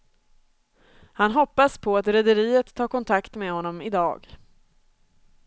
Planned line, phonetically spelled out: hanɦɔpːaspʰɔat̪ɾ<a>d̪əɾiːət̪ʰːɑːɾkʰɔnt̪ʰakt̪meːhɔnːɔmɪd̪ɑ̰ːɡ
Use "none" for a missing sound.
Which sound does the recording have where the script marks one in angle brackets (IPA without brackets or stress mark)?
ɛ